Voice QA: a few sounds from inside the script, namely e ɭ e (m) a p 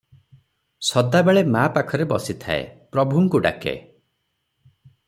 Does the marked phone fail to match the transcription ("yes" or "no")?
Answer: no